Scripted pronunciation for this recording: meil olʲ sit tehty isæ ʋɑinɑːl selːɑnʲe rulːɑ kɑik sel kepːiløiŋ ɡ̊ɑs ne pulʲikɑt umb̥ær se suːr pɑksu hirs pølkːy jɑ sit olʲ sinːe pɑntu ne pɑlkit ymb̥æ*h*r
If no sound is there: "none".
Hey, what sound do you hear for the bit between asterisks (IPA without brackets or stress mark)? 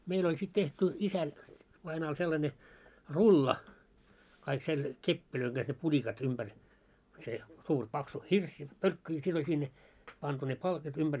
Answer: none